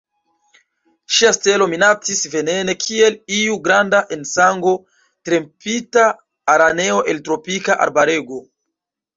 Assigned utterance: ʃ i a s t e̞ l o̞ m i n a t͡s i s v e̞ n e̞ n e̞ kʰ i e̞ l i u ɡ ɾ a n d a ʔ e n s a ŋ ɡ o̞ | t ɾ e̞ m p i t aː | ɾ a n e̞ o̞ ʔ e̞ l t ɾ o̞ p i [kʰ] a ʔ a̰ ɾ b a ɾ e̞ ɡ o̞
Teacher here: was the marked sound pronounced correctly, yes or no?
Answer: no